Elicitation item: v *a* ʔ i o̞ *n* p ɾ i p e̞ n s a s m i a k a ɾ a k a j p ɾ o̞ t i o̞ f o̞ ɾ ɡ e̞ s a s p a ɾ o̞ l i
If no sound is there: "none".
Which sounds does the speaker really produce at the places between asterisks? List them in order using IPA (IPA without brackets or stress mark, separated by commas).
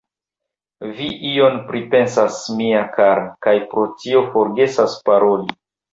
i, n